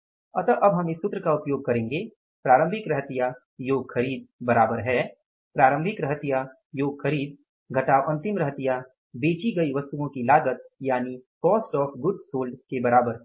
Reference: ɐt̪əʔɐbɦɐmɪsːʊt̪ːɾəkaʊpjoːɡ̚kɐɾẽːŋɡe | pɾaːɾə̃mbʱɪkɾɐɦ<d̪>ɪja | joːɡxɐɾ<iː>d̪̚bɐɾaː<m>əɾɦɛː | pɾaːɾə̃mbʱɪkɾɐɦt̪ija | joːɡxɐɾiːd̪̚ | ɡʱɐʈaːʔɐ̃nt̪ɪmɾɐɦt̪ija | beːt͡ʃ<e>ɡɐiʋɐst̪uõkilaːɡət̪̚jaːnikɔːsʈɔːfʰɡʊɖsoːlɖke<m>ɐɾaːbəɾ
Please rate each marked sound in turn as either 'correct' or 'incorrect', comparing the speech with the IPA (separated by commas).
incorrect, correct, incorrect, incorrect, incorrect